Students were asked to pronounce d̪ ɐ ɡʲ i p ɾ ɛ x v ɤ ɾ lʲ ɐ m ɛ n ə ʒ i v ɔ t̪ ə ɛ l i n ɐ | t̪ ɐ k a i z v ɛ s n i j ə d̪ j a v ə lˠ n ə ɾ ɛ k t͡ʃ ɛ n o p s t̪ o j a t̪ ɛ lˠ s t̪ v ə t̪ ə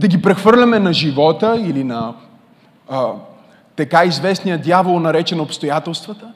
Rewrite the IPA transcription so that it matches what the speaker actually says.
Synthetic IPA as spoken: d̪ ɐ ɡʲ i p ɾ ɛ x v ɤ ɾ lʲ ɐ m ɛ n ɐ ʒ i v ɔ t̪ ə i l i n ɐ | t̪ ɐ k a i z v ɛ s n i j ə d̪ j a v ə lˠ n ɐ ɾ ɛ t͡ʃ ɛ n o p s t̪ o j a t̪ ɛ lˠ s t̪ v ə t̪ ə